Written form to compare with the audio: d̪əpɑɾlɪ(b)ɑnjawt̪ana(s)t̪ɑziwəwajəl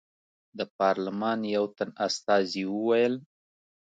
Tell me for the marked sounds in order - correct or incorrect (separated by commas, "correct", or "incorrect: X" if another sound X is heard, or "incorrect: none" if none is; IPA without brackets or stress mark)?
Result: incorrect: m, correct